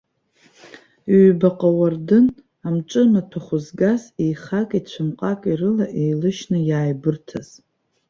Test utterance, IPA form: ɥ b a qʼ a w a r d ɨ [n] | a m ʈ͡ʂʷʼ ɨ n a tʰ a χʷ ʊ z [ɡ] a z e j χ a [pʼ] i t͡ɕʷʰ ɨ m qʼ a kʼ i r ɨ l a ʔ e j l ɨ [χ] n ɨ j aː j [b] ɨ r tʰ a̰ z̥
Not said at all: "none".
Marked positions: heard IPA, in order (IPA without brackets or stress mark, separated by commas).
n, ɡ, kʼ, ʃ, b